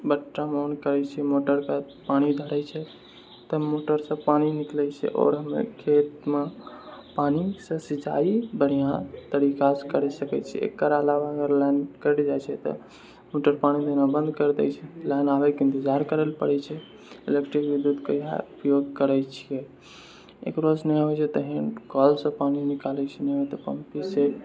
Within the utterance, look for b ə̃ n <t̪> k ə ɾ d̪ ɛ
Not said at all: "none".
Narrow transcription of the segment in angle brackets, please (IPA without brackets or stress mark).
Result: d̪